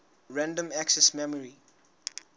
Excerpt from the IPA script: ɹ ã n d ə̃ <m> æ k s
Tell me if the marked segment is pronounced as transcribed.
yes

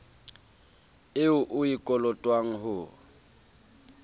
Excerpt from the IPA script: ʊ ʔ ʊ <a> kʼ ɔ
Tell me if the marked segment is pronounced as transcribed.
no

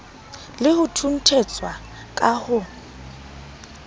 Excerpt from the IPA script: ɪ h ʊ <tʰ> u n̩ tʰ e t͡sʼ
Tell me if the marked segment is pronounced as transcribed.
yes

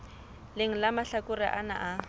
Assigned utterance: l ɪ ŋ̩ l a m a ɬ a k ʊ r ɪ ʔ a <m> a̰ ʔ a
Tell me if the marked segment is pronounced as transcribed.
no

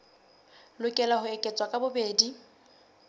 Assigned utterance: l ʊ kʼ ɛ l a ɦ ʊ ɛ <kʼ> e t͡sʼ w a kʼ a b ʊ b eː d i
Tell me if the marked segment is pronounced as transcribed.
yes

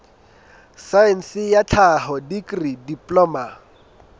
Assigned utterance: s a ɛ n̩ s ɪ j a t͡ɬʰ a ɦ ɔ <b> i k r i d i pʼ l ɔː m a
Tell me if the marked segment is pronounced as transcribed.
no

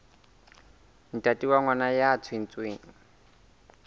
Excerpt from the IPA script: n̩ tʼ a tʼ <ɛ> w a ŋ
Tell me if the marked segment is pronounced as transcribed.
no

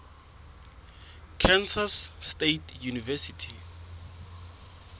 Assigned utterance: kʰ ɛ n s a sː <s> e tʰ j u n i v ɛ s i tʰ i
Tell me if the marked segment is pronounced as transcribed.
no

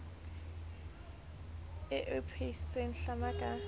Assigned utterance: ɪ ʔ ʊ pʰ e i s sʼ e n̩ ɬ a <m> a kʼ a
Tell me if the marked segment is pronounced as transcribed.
yes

